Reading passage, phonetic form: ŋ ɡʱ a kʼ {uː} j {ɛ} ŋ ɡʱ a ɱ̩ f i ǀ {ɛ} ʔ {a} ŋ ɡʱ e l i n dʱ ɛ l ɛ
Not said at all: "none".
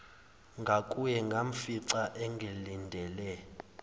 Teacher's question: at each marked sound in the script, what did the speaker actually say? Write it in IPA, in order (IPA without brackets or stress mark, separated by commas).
u, ɛ, a, ɛ